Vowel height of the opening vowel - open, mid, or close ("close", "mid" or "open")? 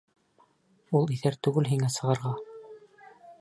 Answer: close